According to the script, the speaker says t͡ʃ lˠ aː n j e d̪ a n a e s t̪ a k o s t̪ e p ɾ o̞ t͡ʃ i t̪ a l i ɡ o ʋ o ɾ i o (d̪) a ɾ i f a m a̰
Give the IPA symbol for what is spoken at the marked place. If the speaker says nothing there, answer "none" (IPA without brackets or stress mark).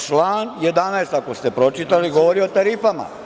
t̪